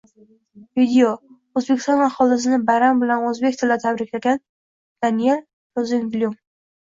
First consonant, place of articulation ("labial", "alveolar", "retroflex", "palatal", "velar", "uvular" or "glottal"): labial